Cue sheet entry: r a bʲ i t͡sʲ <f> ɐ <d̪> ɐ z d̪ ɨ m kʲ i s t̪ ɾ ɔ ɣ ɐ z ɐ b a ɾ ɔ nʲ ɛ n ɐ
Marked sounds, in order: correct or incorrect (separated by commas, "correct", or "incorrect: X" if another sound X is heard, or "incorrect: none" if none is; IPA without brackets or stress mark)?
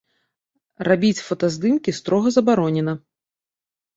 correct, incorrect: t̪